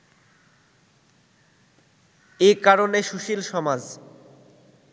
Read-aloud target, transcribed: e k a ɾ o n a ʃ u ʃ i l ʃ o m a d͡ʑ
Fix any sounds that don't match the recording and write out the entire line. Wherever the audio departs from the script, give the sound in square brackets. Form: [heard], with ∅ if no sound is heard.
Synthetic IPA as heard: e k a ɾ o n [e] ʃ u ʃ i l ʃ [ɔ] m a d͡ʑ